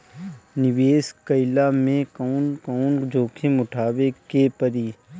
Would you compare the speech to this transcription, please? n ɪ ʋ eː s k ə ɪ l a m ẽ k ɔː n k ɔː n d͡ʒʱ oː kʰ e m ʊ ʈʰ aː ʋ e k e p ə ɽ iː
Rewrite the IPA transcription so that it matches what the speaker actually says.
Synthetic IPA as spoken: n ɪ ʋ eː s k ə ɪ l a m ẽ k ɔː n k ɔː n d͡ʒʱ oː kʰ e m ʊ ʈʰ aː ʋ e k e p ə ɾ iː